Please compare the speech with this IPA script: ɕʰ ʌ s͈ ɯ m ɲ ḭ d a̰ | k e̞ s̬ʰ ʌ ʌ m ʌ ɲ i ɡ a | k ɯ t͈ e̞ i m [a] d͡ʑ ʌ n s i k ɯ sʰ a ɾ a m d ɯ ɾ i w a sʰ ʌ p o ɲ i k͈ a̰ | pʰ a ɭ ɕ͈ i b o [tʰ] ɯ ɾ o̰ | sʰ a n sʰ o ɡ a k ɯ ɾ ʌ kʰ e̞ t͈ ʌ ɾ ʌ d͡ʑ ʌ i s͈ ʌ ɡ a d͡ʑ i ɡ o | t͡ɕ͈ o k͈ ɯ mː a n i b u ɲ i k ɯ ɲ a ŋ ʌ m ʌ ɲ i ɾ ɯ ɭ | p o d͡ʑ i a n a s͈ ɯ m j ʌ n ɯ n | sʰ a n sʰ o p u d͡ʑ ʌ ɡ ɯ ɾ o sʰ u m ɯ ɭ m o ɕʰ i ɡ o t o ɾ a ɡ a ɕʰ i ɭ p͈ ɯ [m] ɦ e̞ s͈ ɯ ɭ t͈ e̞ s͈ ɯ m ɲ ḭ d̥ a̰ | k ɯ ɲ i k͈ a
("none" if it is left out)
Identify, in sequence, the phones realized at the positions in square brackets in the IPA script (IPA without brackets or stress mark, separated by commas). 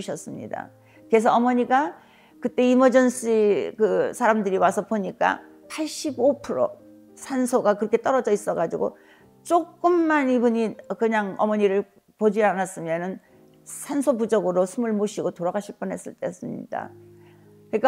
ʌ, pʰ, n